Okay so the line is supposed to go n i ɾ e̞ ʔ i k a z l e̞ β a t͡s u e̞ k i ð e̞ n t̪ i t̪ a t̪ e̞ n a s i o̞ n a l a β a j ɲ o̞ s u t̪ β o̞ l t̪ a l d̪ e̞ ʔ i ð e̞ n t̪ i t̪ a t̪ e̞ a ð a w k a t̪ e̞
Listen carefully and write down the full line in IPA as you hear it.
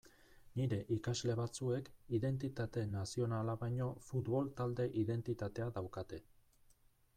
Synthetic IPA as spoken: n i ɾ e̞ ʔ i k a z l e̞ β a t͡s u e̞ k i ð e̞ n t̪ i t̪ a t̪ e̞ n a s i o̞ n a l a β a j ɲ o̞ f u t̪ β o̞ l t̪ a l d̪ e̞ ʔ i ð e̞ n t̪ i t̪ a t̪ e̞ a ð a w k a t̪ e̞